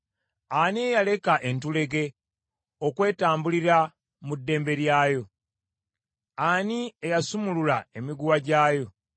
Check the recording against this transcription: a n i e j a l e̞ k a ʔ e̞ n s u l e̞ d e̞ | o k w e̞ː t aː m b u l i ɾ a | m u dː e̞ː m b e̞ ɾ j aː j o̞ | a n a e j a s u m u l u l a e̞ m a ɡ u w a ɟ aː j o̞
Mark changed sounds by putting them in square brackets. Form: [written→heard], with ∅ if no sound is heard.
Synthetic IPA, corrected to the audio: a n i e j a l e̞ k a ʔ e̞ n [s→t] u l e̞ [d→ɡ] e̞ | o k w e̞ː t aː m b u l i ɾ a | m u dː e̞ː m b e̞ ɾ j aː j o̞ | a n [a→i] e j a s u m u l u l a e̞ m [a→i] ɡ u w a ɟ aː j o̞